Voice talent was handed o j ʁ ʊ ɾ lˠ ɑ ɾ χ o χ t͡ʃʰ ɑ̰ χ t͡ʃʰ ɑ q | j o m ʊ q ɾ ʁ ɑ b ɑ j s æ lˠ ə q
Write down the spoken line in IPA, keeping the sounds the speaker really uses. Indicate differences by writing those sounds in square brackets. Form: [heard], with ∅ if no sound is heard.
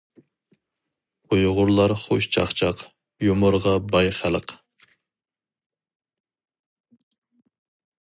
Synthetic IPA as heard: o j ʁ ʊ ɾ lˠ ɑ ɾ χ o [ʃ] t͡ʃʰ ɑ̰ χ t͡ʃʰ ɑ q | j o m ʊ [∅] ɾ ʁ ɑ b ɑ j [χ] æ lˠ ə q